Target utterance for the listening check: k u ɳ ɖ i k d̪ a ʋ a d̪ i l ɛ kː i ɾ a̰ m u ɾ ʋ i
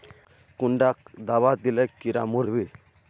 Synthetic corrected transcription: k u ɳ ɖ a k d̪ a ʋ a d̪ i l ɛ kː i ɾ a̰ m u ɾ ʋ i